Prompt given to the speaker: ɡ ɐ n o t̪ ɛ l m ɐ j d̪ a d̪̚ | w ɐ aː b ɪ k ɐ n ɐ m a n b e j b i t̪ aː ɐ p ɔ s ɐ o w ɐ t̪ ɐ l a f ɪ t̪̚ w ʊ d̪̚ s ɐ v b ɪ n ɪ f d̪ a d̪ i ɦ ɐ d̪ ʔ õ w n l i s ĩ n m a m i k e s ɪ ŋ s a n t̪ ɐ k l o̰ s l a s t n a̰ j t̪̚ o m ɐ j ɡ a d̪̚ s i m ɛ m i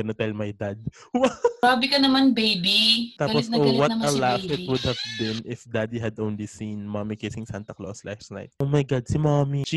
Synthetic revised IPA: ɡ ɐ n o t̪ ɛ l m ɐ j d̪ a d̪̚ | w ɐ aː b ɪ k ɐ n ɐ m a n b e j b i t̪ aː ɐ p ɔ s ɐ o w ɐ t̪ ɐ l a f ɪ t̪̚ w ʊ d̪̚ h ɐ v b ɪ n ɪ f d̪ a d̪ i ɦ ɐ d̪ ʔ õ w n l i s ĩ n m a m i k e s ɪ ŋ s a n t̪ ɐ k l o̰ s l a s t n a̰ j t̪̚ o m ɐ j ɡ a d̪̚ s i m a m i